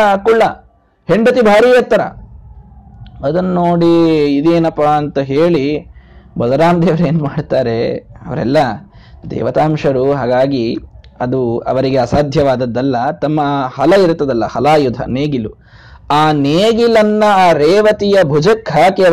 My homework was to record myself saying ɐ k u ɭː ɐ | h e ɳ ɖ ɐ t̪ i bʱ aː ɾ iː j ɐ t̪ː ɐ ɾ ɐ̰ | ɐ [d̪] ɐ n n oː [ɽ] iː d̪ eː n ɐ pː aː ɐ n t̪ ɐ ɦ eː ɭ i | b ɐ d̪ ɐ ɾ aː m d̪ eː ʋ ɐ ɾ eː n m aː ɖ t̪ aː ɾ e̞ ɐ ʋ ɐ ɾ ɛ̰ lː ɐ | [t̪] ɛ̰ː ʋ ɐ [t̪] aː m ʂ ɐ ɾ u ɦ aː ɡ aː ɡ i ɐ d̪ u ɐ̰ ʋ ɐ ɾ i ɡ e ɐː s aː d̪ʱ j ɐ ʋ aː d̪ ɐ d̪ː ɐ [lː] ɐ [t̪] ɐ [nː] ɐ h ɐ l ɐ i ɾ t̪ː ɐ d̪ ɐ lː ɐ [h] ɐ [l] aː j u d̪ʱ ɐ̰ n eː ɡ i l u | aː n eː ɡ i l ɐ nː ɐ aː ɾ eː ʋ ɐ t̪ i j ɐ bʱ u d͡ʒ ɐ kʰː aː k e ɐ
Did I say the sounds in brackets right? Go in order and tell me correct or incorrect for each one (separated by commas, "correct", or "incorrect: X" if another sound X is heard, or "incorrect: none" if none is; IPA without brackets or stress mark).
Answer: correct, correct, incorrect: d̪, correct, correct, correct, incorrect: mː, correct, correct